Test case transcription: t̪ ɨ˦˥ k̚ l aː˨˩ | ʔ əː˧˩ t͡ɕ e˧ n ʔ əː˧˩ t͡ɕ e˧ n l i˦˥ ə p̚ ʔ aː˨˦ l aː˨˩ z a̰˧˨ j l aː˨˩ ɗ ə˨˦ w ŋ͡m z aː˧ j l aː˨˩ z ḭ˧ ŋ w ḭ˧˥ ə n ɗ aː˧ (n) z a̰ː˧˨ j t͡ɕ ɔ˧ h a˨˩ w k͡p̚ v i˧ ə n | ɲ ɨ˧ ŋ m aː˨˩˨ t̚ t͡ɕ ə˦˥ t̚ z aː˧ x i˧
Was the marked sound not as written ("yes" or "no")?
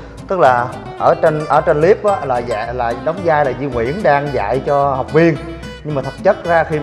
yes